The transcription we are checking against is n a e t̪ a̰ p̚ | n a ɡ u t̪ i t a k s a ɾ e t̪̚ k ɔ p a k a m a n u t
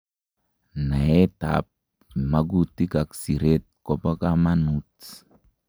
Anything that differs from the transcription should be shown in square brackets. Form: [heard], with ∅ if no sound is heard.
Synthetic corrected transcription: n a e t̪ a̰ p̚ | [m] a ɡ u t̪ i [k] a k s [i] ɾ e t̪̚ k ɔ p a k a m a n u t